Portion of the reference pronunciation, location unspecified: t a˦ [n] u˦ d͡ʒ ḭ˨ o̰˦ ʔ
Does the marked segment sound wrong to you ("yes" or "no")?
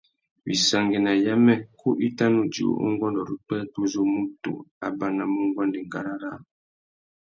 no